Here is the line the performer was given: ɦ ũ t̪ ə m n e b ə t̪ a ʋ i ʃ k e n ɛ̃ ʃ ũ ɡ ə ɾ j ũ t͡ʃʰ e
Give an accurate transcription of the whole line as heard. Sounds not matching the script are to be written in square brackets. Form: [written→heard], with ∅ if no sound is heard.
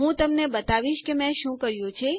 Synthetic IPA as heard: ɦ ũ t̪ ə m n e b ə t̪ a ʋ i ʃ k e [n→m] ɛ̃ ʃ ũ [ɡ→k] ə ɾ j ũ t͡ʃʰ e